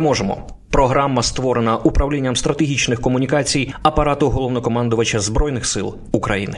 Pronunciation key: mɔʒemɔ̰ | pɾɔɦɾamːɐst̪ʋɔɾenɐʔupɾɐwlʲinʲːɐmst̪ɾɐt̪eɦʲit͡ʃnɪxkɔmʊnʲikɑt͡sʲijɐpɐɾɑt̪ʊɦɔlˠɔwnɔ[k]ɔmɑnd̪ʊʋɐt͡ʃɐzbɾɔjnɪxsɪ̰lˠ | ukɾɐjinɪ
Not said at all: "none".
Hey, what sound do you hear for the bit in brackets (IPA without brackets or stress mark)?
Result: k